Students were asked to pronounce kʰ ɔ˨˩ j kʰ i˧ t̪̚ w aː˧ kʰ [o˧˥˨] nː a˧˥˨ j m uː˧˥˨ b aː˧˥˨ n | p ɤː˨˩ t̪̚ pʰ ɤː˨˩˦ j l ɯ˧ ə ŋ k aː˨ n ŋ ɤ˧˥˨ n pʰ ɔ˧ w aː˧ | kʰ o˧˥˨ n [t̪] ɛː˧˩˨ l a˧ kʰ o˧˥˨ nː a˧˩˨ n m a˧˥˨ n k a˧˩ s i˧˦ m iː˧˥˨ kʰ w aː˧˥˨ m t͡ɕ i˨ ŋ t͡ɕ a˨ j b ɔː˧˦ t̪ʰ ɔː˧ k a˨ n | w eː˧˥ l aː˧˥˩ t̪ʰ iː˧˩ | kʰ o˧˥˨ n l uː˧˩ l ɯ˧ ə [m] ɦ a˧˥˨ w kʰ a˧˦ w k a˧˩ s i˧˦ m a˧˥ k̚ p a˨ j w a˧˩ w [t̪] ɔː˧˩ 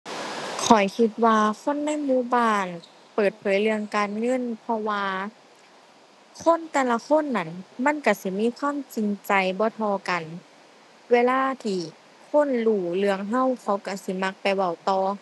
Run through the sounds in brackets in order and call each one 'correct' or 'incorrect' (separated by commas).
correct, correct, incorrect, correct